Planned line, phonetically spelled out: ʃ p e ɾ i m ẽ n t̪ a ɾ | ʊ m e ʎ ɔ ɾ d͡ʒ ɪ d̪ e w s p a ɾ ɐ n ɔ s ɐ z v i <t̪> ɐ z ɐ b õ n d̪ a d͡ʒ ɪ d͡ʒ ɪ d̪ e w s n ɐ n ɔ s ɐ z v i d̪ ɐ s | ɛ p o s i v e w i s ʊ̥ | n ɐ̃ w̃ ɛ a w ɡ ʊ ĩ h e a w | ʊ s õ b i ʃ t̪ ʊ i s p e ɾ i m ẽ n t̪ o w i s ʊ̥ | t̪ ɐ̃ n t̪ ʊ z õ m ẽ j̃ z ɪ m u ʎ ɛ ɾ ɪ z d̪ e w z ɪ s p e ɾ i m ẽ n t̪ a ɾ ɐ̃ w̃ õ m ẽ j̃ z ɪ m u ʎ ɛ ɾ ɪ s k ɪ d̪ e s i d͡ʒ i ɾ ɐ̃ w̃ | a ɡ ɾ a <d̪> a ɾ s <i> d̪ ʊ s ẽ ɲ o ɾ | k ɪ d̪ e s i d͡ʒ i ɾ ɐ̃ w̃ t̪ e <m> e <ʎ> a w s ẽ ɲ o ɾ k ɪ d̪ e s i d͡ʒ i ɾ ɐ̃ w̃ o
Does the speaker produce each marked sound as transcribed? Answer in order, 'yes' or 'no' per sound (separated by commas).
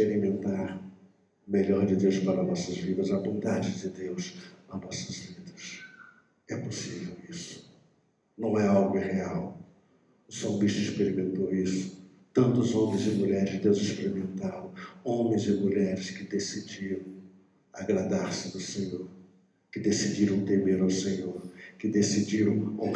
no, yes, no, yes, no